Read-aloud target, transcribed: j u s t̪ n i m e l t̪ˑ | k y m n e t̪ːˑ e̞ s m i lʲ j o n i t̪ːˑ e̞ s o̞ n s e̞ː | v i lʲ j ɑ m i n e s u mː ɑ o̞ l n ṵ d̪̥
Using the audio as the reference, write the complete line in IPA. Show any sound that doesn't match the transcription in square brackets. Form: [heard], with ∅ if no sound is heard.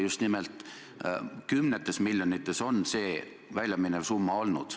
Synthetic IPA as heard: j u s t̪ n i m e l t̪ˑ | k y m n e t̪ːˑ e̞ s m i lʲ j o n i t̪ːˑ e̞ s o̞ n s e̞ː | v [æ] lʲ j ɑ m i n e s u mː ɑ o̞ l n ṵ d̪̥